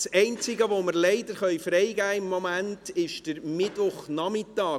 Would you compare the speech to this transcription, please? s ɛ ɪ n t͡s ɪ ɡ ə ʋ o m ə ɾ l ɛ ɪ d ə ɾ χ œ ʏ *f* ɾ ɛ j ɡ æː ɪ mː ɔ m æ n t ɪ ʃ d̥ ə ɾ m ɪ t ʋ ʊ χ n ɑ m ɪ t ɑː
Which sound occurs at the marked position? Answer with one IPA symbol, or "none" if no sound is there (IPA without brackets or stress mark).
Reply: f